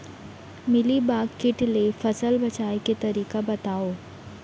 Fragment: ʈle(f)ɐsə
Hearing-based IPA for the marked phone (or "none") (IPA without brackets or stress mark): f